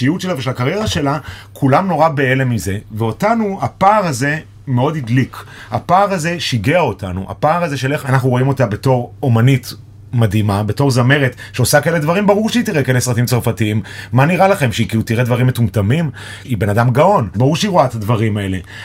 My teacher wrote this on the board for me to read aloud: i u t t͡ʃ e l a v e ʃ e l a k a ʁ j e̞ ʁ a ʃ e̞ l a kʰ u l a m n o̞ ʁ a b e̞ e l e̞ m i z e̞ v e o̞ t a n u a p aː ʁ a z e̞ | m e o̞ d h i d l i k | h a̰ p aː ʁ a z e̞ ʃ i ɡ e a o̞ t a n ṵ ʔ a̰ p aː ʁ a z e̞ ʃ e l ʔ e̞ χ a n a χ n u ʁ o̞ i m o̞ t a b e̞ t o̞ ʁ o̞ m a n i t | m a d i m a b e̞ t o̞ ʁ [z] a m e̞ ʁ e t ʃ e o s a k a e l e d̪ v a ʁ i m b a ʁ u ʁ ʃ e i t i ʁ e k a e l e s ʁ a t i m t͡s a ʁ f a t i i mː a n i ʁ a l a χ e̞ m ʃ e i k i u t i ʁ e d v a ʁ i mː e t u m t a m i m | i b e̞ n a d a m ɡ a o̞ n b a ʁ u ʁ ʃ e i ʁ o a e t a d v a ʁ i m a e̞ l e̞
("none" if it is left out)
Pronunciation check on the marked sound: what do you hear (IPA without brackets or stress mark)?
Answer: z